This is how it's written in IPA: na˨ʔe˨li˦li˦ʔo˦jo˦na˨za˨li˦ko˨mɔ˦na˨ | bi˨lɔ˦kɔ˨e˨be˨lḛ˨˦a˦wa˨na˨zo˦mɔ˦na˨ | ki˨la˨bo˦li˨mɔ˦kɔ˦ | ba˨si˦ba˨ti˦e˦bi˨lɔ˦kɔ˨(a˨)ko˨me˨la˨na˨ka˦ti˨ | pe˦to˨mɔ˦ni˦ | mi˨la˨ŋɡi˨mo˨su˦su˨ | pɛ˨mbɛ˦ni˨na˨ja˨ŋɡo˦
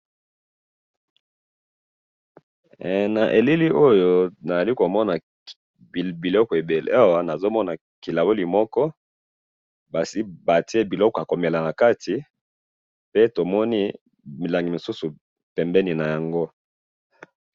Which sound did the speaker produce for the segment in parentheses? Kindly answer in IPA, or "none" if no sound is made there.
a˨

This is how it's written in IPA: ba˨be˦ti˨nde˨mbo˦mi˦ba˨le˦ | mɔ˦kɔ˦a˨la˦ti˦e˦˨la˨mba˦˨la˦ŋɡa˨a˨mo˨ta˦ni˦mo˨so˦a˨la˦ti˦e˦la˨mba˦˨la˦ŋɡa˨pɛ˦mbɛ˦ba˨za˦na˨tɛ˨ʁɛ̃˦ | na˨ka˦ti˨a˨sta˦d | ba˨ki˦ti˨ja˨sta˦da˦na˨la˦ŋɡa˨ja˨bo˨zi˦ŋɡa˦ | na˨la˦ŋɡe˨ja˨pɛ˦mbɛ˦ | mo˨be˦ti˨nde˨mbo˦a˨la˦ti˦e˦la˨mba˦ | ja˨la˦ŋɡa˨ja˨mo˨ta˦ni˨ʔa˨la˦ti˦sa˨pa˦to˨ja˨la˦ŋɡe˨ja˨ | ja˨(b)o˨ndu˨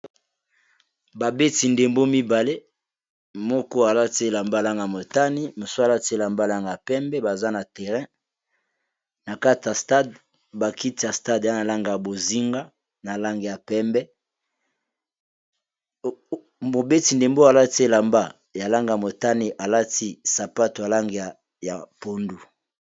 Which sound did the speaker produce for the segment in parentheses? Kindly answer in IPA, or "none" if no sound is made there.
p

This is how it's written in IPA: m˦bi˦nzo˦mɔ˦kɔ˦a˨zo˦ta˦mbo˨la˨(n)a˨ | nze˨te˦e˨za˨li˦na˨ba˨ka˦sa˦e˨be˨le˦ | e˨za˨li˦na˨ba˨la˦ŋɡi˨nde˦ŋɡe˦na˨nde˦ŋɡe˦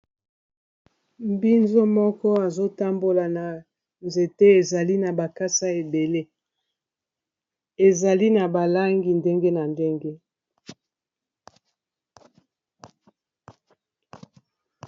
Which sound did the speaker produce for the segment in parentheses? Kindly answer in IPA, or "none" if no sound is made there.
n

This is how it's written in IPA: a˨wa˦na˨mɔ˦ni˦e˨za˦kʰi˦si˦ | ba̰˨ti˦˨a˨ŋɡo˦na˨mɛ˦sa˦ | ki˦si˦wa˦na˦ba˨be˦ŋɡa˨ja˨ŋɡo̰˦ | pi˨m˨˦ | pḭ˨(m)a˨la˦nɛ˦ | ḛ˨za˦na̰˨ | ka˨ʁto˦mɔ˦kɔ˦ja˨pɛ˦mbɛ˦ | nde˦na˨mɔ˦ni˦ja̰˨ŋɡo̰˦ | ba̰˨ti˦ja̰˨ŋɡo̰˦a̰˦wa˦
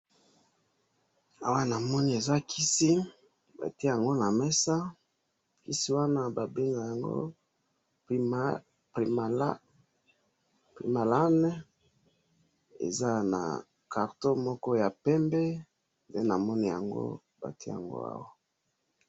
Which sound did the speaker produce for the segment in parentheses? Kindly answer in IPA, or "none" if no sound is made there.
m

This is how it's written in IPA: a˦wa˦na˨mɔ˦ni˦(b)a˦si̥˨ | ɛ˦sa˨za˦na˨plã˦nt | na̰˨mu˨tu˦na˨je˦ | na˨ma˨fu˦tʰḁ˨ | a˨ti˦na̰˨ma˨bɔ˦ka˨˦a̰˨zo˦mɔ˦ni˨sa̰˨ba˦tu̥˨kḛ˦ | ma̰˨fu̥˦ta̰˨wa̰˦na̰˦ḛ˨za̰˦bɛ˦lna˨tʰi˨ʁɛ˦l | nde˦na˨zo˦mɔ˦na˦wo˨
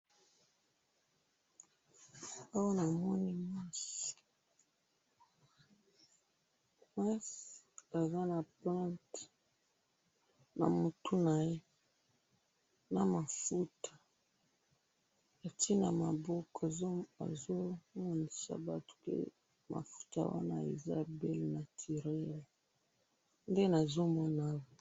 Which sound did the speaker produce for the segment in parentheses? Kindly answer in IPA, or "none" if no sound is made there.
m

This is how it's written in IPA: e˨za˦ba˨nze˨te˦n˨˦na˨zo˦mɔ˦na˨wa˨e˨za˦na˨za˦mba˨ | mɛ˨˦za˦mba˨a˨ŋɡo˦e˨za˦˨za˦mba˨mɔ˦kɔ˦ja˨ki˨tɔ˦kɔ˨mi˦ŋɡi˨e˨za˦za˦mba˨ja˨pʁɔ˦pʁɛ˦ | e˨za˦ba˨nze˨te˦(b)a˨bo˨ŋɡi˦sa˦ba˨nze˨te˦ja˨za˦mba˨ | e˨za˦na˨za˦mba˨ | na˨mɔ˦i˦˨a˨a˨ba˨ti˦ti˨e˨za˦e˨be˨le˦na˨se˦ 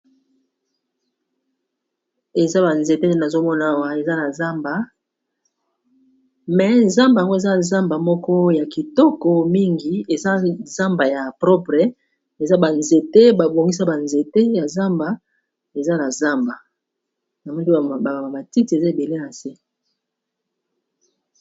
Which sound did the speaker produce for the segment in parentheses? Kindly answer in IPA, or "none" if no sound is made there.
b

